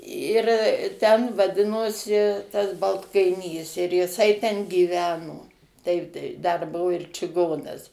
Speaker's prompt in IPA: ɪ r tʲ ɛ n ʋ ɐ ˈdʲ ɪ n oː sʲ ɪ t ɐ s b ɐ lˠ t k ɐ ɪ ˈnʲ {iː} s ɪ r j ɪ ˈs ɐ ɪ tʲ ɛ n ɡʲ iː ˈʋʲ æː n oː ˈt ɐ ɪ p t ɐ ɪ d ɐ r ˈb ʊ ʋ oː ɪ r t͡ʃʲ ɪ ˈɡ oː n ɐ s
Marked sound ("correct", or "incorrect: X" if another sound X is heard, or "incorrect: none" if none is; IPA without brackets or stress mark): correct